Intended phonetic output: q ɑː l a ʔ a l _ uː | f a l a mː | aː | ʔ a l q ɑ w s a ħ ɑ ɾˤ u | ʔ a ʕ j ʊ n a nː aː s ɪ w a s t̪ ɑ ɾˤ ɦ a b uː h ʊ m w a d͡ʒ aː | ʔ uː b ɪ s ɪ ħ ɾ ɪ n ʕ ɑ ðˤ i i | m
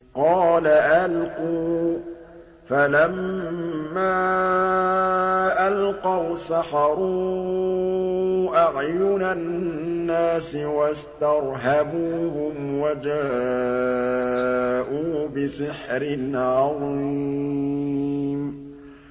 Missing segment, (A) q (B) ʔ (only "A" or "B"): A